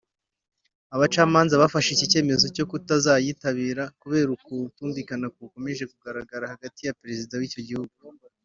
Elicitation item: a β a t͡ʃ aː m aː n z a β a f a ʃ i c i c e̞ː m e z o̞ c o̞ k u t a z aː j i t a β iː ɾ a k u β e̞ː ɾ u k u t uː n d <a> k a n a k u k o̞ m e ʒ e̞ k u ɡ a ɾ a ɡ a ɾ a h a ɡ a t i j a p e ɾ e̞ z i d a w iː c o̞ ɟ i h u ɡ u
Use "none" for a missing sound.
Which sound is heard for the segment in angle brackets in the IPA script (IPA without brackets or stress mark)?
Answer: i